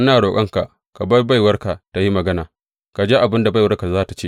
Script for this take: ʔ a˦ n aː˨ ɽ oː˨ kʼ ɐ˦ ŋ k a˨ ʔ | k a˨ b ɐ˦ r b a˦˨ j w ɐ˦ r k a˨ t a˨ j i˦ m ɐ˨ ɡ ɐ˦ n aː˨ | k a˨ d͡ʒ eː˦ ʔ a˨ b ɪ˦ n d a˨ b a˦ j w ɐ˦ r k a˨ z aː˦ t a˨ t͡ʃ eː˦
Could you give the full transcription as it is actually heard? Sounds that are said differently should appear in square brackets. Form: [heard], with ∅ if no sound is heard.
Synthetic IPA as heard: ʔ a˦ n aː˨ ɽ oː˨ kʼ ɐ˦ ŋ k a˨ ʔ | k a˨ b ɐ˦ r b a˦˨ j w ɐ˦ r k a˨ t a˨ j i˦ m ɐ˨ ɡ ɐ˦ n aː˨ | k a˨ d͡ʒ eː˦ ʔ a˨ b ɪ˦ n d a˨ b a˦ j w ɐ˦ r k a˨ z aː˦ t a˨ t͡ʃ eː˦